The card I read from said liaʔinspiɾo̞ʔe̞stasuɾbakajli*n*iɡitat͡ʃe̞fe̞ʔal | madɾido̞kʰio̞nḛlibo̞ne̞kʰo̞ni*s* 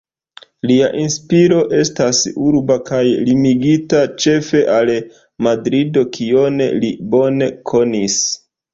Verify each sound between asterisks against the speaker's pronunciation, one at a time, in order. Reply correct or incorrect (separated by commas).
incorrect, correct